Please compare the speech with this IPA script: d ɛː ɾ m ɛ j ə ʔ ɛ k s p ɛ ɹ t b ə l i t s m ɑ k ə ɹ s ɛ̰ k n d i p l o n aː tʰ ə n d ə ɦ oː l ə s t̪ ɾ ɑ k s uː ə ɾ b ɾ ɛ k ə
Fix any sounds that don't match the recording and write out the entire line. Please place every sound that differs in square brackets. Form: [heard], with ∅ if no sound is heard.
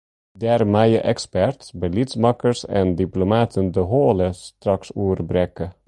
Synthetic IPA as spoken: d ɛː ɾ m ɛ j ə ʔ ɛ k s p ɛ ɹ t b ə l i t s m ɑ k ə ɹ s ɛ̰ [∅] n d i p l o [m] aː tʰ ə n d ə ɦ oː l ə s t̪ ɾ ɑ k s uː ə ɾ b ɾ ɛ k ə